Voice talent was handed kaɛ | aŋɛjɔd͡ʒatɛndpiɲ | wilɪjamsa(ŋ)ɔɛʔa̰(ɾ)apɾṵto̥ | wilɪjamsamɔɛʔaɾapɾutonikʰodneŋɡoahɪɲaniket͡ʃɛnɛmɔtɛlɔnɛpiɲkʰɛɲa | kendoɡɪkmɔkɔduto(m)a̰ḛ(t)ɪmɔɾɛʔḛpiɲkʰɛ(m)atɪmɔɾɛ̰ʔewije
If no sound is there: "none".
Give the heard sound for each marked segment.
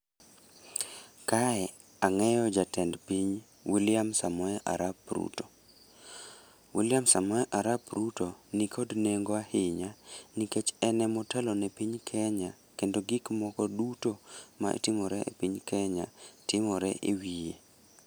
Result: m, ɾ, m, t, ɲ

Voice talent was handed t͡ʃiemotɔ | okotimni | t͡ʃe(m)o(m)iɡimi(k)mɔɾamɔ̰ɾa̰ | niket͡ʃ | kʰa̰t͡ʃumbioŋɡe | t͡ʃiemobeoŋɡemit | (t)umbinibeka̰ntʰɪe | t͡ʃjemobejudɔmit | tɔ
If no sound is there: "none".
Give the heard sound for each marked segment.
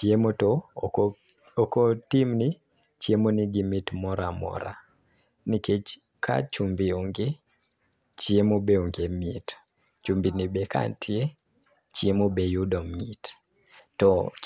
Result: m, n, t, t͡ʃ

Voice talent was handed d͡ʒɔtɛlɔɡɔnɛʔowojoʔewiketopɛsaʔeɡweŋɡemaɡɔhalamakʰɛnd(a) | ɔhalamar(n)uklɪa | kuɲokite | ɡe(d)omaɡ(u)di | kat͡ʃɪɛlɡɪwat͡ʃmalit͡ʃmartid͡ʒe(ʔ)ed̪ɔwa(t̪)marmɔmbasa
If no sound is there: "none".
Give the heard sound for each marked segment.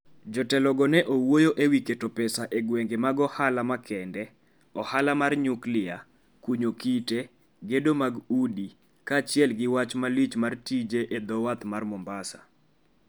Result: ɛ, ɲ, d, u, ʔ, t̪

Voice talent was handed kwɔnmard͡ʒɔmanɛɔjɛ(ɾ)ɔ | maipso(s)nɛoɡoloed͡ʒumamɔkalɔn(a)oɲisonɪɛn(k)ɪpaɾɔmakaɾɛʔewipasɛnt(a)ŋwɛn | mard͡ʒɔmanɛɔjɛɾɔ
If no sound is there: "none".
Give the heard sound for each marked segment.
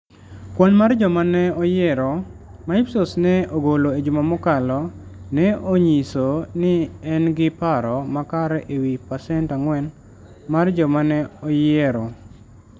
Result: ɾ, s, ɛ, ɡ, a

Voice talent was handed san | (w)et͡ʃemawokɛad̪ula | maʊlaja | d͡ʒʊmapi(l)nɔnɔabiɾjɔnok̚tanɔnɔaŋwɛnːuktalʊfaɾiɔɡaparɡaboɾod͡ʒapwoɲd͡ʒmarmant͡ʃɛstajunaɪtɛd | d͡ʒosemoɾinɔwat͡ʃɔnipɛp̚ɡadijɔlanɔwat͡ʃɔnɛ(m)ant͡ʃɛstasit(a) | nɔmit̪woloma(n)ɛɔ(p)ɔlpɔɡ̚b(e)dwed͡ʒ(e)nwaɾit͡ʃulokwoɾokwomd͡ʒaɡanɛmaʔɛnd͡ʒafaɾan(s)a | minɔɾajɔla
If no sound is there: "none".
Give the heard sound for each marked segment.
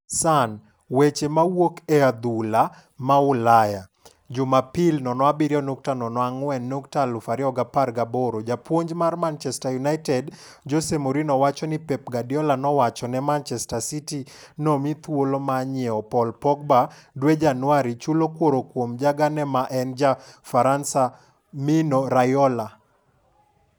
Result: w, l, m, i, ɲ, p, a, a, s

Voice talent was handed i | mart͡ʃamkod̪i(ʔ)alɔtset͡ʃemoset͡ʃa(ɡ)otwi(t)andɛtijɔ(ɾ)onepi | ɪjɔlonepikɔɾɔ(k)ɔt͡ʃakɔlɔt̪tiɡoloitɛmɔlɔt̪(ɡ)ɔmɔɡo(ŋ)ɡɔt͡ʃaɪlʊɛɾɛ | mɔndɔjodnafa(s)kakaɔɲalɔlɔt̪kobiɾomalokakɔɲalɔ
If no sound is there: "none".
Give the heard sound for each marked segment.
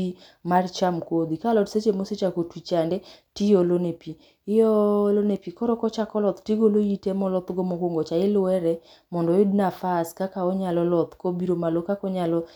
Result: k, k, t͡ʃ, l, k, ɡ, ŋ, s

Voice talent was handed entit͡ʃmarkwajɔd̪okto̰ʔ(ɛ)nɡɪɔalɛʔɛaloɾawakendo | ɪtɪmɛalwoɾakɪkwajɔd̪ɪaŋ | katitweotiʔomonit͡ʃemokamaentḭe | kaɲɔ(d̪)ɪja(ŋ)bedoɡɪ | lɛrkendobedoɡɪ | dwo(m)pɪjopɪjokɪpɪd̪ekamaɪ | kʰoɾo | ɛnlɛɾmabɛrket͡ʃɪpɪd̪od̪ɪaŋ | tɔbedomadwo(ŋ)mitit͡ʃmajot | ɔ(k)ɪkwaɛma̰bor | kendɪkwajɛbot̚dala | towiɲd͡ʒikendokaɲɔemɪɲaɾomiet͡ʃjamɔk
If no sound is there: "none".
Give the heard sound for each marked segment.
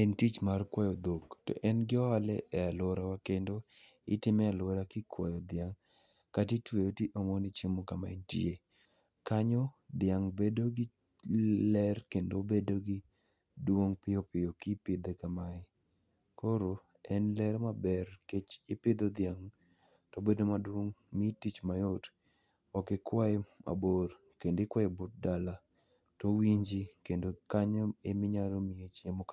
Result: ɛ, d̪, ŋ, ŋ, ŋ, k

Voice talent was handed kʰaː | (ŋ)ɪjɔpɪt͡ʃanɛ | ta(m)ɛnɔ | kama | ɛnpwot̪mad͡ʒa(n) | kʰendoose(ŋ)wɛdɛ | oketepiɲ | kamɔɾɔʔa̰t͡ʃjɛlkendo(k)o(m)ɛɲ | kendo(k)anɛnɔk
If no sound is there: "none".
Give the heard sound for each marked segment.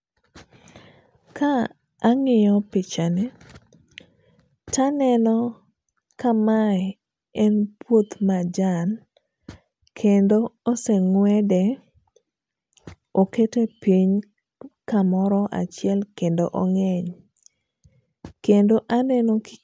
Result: ŋ, n, n, ŋ, ʔ, ŋ, ʔ

